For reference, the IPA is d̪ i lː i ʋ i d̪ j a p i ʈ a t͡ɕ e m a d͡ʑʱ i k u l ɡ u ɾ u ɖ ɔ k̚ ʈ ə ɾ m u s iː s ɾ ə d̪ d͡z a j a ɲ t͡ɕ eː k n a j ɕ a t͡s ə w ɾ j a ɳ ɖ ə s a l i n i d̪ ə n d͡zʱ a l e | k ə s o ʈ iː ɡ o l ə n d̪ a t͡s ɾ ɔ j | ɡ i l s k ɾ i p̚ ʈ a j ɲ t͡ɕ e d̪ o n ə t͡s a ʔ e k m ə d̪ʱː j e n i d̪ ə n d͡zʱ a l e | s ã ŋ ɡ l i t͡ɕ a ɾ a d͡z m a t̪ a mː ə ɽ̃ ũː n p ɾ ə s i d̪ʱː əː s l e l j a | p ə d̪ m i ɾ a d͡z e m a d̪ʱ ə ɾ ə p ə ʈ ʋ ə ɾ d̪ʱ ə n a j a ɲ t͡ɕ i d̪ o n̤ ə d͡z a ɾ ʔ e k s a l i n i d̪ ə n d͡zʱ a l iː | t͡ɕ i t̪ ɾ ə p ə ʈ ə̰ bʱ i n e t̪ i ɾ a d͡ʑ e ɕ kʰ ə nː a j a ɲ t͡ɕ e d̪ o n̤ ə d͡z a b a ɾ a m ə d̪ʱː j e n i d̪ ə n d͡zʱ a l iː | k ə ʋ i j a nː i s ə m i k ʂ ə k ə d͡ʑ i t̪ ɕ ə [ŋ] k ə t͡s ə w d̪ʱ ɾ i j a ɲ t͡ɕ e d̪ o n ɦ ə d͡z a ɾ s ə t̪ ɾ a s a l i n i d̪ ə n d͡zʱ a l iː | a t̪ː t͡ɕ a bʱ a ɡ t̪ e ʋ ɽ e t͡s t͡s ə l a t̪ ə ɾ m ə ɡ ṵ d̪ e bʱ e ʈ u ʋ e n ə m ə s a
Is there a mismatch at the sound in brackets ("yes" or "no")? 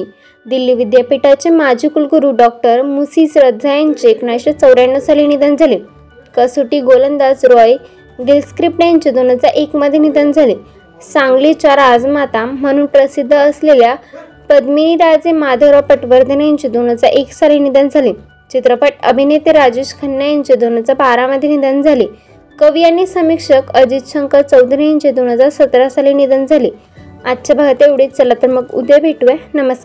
no